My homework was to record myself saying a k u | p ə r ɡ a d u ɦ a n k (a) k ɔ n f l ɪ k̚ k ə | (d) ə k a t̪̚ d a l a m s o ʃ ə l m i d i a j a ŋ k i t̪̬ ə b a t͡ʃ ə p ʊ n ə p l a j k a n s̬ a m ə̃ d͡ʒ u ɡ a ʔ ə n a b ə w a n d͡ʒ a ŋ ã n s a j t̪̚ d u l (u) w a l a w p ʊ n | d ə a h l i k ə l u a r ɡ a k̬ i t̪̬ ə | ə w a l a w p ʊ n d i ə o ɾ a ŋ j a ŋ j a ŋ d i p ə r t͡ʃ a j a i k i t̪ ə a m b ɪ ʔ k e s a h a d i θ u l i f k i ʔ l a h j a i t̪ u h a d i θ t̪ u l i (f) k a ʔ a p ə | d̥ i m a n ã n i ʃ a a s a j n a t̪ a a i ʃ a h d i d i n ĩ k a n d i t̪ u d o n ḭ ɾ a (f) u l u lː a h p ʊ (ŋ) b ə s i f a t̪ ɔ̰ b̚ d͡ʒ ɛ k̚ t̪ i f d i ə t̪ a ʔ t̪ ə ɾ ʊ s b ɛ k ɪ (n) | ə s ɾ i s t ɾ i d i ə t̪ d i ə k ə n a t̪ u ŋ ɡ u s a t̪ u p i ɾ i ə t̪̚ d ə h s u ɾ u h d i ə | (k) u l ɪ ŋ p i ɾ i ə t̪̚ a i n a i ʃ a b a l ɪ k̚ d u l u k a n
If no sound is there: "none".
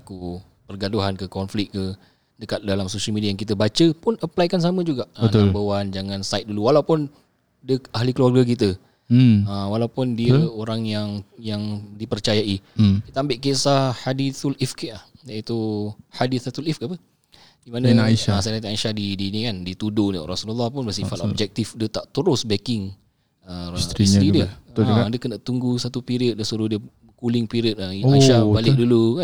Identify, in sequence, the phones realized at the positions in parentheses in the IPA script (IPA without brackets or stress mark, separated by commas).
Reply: ə, d, u, f, s, n, ŋ, k